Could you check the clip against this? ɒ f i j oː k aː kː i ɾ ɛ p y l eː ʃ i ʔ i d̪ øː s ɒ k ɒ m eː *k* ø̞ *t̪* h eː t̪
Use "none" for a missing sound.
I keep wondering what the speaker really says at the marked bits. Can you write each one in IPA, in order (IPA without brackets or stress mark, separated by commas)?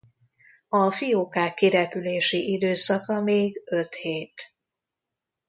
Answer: ɡ, t̪